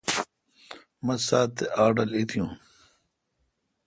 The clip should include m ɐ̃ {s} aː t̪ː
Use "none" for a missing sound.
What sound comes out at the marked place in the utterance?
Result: s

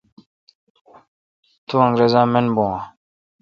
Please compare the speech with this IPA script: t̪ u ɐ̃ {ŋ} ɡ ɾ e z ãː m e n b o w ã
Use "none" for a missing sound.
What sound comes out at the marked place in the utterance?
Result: ŋ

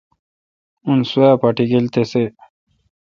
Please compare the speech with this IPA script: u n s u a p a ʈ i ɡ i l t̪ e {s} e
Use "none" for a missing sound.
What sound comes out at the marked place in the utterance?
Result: s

